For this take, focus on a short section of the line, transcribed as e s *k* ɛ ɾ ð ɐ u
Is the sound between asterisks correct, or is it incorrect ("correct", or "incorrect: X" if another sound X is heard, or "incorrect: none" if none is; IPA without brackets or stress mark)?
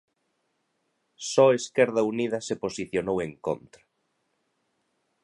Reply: correct